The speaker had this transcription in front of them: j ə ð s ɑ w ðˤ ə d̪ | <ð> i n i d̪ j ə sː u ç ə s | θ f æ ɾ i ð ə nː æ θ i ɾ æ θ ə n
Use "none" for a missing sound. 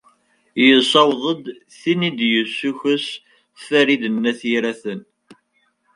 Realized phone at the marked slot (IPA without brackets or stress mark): θ